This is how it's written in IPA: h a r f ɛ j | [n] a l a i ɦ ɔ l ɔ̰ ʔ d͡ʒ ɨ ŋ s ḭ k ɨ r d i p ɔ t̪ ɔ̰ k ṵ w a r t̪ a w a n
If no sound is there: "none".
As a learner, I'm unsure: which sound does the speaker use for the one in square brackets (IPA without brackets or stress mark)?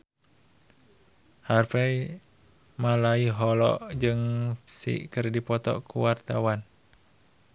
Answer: m